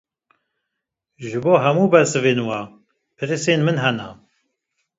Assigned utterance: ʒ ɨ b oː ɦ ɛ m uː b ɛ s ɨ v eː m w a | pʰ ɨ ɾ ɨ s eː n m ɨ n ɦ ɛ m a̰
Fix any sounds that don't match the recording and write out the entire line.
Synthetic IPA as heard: ʒ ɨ b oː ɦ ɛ m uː b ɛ s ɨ v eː n w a | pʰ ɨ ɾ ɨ s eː n m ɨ n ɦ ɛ n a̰